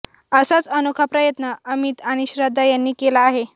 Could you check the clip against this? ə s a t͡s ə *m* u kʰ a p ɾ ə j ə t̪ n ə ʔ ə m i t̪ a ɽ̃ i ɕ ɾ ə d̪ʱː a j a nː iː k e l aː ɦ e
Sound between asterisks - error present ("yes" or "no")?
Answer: yes